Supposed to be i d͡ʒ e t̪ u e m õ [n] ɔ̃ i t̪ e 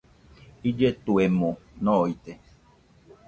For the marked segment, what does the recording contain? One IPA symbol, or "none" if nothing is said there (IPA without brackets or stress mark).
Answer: n